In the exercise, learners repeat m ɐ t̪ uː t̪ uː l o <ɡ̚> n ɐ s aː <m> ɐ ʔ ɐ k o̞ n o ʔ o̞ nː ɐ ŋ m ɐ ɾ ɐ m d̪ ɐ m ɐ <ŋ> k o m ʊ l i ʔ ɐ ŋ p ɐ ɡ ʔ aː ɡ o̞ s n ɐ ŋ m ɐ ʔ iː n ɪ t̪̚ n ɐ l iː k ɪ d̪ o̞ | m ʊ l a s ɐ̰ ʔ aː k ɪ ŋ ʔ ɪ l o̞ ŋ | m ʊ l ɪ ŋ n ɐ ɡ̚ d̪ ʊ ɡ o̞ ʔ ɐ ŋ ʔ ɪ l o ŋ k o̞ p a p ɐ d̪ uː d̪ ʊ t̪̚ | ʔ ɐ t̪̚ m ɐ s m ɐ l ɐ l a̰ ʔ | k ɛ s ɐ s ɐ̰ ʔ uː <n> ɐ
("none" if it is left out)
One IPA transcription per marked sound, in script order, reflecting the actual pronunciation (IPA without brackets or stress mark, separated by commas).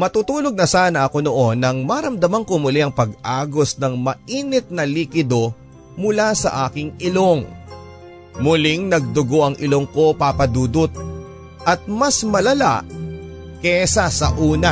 ɡ̚, n, ŋ, n